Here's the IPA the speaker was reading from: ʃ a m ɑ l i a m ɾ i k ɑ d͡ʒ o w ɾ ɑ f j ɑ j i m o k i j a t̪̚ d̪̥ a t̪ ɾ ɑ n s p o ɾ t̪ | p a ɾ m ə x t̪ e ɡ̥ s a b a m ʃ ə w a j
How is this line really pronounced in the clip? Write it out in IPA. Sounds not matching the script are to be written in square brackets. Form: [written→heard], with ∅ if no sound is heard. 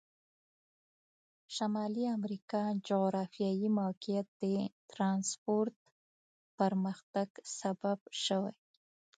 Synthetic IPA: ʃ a m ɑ l i a m ɾ i k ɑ d͡ʒ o [w→ɣ] ɾ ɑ f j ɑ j i m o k i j a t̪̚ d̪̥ [a→ə] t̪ ɾ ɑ n s p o ɾ t̪ | p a ɾ m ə x t̪ [e→a] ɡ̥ s a b a [m→b] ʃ ə w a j